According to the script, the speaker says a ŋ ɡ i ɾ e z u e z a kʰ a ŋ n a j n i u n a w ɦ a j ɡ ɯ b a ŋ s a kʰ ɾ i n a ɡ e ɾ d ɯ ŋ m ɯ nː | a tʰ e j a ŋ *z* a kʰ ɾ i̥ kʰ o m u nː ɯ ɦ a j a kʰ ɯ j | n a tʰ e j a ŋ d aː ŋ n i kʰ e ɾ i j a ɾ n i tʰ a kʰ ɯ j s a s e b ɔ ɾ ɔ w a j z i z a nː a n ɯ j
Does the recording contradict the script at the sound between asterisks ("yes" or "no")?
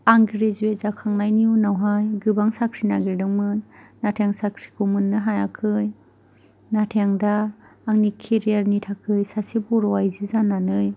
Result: yes